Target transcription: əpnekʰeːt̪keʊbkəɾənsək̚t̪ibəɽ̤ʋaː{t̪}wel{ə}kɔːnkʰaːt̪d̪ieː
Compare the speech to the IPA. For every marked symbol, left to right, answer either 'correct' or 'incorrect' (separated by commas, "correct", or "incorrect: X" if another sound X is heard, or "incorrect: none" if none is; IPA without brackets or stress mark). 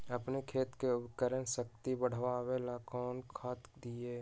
incorrect: none, incorrect: a